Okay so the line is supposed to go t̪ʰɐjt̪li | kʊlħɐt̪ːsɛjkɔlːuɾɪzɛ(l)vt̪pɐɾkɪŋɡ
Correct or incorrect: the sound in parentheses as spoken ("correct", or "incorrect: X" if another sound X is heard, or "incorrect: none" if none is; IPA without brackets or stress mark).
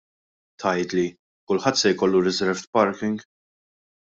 incorrect: ɾ